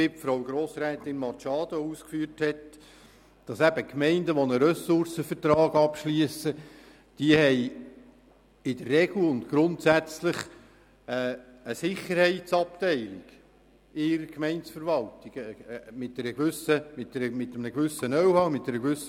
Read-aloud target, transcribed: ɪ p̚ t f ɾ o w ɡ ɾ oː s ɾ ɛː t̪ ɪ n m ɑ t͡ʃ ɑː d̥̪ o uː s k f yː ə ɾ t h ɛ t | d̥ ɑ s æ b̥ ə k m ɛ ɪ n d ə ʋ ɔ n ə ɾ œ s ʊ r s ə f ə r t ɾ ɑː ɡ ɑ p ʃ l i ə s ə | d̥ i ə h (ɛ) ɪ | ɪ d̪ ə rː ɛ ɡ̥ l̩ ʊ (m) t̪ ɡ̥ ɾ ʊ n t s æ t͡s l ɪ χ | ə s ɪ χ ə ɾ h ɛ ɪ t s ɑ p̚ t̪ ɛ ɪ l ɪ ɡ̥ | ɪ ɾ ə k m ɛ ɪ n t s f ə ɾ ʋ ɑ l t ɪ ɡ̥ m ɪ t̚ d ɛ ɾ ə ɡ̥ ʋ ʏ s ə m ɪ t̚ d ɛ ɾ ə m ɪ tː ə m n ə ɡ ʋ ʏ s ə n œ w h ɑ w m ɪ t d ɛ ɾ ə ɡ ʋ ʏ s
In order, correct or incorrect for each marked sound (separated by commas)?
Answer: correct, incorrect